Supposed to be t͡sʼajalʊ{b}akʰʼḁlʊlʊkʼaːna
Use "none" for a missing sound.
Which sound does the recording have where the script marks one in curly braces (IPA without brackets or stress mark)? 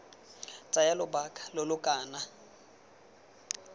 b